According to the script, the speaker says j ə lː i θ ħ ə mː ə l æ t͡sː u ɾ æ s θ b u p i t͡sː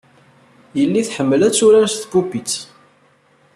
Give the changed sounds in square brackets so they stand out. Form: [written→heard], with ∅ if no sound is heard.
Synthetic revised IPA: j ə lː i θ ħ ə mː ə l æ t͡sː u ɾ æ s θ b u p i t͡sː

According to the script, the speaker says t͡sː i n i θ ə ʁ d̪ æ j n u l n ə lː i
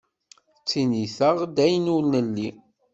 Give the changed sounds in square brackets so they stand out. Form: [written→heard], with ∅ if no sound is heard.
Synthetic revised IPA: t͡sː i n i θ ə ʁ d̪ æ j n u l n ə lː i

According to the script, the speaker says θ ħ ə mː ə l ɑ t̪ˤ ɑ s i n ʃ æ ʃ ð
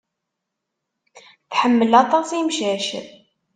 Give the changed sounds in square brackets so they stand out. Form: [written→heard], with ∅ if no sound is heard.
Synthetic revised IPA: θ ħ ə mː ə l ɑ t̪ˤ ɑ s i [n→m] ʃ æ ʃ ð

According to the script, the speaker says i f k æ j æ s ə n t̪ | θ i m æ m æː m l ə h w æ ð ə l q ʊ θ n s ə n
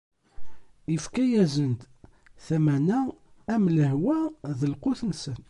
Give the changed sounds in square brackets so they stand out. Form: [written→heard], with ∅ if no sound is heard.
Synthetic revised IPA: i f k æ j æ [s→z] ə n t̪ | θ [i→æ] m æ [m→n] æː m l ə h w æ ð ə l q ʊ θ n s ə n

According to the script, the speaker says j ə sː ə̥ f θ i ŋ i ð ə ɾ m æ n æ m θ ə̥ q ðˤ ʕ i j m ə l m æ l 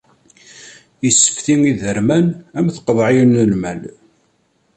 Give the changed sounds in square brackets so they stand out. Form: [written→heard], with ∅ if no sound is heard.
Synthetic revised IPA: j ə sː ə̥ f θ i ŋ i ð ə ɾ m æ n æ m θ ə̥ q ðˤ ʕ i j [m→n] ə l m æ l

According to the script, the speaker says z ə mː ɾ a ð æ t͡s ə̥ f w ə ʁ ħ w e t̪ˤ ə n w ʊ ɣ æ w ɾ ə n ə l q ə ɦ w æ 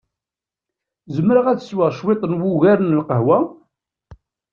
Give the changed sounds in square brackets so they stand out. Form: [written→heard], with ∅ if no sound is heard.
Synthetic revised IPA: z ə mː ɾ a [ð→ʁ] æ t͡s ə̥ [f→s] w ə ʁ [ħ→ʃ] w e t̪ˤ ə n w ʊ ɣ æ [w→∅] ɾ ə n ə l q ə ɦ w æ

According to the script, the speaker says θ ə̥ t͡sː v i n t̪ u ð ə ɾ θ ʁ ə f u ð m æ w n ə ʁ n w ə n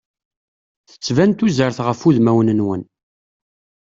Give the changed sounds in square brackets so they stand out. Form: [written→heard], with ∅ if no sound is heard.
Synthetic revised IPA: θ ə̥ t͡sː v [i→æ] n t̪ u [ð→z] ə ɾ θ ʁ ə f u ð m æ w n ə [ʁ→∅] n w ə n

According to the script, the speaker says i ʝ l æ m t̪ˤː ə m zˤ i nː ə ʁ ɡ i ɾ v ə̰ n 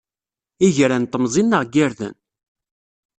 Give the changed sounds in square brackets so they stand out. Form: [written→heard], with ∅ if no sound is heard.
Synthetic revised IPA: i ʝ [l→ɾ] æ [m→n] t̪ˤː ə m zˤ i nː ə ʁ ɡ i ɾ [v→ð] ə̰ n

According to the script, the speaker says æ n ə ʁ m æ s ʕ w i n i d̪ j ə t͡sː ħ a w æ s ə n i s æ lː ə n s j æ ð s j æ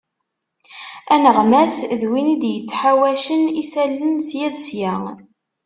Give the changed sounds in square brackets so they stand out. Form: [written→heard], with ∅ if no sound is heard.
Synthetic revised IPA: æ n ə ʁ m æ s [ʕ→ð] w i n i d̪ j ə t͡sː ħ a w æ [s→ʃ] ə n i s æ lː ə n s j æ ð s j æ

